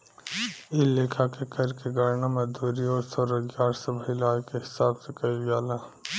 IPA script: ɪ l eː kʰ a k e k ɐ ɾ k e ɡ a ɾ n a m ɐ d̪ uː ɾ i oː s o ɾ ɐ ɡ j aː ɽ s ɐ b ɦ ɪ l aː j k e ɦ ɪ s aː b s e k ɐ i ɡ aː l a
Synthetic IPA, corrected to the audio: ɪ l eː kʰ a k e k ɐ ɾ k e ɡ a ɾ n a m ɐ d̪ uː ɾ i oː s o ɾ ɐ ɡ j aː ɾ s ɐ b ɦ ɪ l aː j k e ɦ ɪ s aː b s e k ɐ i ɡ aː l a